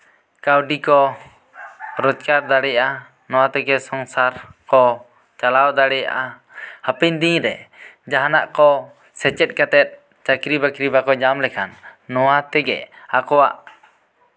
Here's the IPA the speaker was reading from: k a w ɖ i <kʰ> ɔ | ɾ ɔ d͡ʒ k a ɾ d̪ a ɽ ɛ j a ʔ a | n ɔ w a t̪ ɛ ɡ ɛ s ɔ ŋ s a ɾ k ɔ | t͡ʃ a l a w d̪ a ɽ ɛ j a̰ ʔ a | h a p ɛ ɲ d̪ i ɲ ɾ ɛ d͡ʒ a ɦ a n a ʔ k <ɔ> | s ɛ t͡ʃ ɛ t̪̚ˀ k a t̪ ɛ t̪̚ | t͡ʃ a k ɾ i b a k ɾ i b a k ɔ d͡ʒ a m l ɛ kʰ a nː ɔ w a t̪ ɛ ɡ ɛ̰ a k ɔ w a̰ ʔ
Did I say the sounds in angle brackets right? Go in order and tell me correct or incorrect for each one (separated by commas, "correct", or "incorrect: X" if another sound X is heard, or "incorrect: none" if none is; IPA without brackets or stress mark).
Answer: incorrect: k, correct